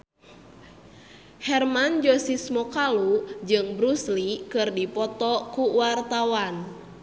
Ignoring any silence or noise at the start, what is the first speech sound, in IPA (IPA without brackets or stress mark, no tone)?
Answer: h